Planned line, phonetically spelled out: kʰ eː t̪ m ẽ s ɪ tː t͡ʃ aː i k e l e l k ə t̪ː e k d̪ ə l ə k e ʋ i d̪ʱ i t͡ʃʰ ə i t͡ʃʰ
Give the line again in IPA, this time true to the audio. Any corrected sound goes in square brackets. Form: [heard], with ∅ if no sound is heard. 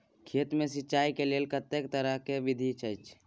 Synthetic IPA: kʰ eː t̪ m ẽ s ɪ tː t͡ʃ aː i k e l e l k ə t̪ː e k [t̪] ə [ɾ] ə k e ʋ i d̪ʱ i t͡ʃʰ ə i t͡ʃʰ